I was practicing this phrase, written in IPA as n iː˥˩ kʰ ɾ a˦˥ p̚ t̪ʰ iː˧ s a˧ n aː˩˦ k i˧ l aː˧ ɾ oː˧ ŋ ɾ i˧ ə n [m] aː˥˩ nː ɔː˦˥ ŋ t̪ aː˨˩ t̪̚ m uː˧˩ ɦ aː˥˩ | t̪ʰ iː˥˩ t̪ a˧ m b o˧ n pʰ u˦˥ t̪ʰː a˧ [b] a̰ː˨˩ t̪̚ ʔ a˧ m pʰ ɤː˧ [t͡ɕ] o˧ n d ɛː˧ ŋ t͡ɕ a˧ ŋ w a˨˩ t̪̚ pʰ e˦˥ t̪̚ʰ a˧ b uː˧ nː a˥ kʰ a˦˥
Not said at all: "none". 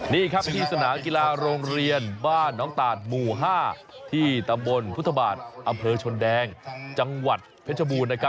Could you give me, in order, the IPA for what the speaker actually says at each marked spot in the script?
b, b, t͡ɕʰ

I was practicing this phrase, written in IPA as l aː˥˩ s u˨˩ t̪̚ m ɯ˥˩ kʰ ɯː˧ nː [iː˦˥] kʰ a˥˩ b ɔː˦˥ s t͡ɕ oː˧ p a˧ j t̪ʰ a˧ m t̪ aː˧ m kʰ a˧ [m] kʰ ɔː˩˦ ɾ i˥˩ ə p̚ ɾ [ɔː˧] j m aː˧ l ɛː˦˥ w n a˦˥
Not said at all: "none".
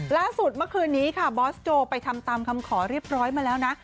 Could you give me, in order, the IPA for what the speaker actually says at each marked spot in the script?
iː˦˥, m, ɔː˦˥

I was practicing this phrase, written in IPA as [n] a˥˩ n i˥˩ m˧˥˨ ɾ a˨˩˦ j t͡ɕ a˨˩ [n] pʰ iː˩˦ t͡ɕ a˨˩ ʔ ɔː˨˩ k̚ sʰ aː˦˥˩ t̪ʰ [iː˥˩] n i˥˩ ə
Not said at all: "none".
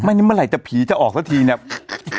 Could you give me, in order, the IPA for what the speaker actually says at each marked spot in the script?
m, none, iː˧

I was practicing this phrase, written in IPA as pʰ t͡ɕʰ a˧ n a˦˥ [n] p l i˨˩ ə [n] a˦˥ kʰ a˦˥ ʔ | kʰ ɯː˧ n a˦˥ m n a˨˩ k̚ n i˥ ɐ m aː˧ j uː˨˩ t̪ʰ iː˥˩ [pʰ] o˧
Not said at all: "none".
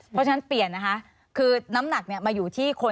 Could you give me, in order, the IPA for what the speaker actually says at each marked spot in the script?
n, nː, kʰ

